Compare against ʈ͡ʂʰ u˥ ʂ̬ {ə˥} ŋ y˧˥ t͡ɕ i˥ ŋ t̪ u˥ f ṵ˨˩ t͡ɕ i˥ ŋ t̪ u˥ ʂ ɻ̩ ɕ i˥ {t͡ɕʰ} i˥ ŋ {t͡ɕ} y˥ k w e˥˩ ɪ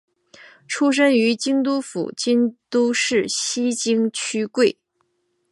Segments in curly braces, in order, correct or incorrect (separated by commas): correct, incorrect, incorrect